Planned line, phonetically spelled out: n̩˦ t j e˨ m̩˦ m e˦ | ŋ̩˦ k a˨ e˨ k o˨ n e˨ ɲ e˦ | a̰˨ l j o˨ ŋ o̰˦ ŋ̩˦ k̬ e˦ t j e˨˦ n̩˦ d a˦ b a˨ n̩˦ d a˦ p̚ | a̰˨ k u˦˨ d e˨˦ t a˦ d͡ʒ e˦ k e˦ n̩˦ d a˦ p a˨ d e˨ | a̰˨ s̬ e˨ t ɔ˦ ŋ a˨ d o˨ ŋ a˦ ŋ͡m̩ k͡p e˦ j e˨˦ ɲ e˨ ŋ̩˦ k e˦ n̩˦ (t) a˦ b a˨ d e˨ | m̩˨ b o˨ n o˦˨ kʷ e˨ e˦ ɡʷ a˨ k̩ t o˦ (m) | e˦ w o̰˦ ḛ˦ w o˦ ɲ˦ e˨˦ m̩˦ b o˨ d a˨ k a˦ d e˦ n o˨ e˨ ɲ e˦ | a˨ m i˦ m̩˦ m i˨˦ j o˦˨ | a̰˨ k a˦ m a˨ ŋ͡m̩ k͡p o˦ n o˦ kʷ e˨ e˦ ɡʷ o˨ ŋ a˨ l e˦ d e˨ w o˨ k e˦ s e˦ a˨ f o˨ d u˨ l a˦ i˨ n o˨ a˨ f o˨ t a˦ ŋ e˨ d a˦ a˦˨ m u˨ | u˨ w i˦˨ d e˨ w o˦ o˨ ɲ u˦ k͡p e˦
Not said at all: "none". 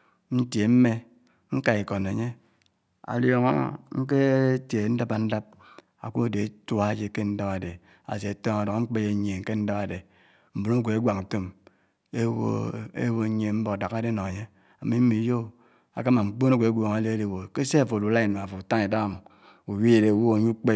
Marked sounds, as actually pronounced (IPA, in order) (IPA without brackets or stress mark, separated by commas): d, m